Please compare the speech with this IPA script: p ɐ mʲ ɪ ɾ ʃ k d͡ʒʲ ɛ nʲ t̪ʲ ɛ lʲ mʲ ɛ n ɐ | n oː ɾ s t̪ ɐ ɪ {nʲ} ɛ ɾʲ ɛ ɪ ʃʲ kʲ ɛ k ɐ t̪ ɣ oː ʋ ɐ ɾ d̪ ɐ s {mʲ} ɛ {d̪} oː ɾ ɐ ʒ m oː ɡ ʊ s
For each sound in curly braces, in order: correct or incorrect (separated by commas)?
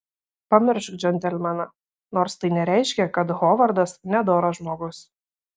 correct, incorrect, correct